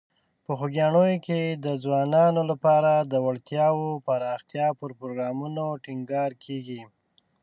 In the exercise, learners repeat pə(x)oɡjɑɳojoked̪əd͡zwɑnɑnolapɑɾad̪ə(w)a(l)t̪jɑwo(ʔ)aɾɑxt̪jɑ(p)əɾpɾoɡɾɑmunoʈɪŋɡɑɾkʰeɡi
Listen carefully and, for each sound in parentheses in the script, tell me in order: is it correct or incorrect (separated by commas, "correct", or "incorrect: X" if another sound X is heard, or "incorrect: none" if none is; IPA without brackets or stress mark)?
correct, correct, incorrect: ɽ, incorrect: p, correct